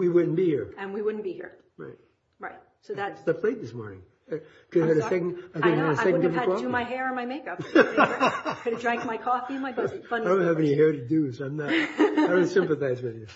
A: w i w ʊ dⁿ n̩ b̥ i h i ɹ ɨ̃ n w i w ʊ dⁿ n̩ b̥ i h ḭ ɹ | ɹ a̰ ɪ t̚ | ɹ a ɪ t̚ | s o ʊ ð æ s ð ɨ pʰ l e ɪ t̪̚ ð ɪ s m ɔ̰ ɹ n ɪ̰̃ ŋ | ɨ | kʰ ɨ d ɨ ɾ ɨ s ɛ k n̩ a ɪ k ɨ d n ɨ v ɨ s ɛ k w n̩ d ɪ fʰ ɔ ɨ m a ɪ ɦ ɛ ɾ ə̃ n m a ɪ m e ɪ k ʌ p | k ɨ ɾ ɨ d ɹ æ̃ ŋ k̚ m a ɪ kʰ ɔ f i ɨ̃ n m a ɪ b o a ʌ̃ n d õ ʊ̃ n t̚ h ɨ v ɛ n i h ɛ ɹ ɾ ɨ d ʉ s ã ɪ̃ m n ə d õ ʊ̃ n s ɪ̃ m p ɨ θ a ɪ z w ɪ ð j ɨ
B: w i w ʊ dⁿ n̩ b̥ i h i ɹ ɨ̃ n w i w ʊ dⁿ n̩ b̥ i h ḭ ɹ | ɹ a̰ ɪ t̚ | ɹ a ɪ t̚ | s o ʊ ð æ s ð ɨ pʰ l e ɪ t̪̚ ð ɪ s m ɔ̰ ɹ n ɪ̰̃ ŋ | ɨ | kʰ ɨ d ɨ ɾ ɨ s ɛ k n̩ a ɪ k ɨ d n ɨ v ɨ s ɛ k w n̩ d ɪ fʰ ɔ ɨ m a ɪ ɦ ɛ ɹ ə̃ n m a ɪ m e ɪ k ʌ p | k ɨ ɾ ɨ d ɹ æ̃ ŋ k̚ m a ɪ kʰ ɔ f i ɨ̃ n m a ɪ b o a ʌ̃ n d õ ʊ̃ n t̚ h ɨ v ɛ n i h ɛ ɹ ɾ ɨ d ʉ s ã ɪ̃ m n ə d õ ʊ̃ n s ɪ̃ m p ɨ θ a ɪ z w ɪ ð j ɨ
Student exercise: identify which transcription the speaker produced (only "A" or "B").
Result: B